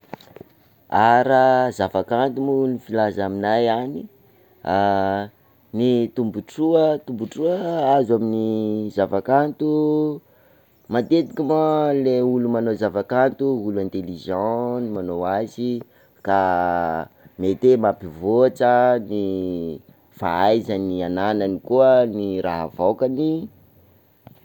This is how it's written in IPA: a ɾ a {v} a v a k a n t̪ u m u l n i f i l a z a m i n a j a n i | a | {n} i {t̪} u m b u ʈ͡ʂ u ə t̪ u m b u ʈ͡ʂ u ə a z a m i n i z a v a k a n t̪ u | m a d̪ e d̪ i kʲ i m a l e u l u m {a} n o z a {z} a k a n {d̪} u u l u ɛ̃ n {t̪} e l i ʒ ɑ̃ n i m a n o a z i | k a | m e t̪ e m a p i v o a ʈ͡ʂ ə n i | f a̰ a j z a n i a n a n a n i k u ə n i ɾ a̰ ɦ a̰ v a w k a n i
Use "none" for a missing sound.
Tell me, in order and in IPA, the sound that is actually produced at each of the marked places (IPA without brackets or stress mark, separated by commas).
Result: z, n, t̪, a, v, t̪, t̪